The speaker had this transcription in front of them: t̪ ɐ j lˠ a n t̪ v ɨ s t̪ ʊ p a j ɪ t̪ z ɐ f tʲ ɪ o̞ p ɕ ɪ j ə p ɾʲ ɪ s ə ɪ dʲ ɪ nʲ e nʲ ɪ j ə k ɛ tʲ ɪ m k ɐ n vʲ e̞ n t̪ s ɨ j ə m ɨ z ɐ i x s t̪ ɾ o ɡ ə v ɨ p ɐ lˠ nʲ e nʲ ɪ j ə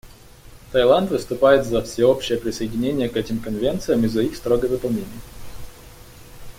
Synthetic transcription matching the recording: t̪ ɐ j lˠ a n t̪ v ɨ s t̪ ʊ p a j ɪ t̪ z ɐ f sʲ ɪ o̞ p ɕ ɪ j ə p ɾʲ ɪ s ə ɪ dʲ ɪ nʲ e nʲ ɪ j ə k ɛ tʲ ɪ m k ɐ n vʲ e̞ n t̪ s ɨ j ə m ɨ z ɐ i x s t̪ ɾ o ɡ ə v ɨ p ɐ lˠ nʲ e nʲ ɪ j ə